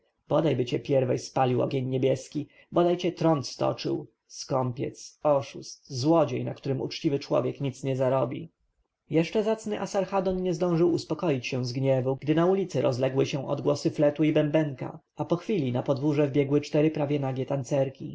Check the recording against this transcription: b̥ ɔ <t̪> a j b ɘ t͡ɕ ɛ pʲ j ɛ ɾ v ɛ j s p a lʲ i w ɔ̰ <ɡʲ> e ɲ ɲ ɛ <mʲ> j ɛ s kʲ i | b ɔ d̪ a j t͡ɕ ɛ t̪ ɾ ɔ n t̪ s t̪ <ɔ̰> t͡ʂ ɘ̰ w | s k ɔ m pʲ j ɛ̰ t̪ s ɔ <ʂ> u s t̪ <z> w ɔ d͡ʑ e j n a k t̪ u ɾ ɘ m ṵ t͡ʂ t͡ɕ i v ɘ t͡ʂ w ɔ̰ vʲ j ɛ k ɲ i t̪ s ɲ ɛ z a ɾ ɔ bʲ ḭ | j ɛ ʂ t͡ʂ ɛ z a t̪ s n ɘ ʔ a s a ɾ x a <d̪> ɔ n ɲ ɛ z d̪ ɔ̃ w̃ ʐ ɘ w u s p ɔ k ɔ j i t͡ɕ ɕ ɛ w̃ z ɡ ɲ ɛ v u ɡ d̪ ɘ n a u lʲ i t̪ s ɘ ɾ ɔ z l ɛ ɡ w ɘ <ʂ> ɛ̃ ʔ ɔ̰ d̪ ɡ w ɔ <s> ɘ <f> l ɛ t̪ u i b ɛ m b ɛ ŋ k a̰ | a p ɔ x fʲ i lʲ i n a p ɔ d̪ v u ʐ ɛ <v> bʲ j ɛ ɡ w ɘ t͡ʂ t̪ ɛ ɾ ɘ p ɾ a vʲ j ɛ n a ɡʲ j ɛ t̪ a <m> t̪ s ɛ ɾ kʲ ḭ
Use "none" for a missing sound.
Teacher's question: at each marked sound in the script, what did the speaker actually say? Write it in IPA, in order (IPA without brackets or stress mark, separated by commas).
d̪, ɡʲ, bʲ, ɔ̰, ʂ, z, d̪, ɕ, s, f, v, n